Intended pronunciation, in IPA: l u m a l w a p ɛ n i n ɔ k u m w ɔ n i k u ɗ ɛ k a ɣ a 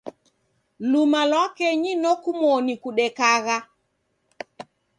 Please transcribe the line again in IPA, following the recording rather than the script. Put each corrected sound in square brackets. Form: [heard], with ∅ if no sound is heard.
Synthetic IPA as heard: l u m a l w a [k] ɛ [ɲ] i n ɔ k u m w ɔ n i k u ɗ ɛ k a ɣ a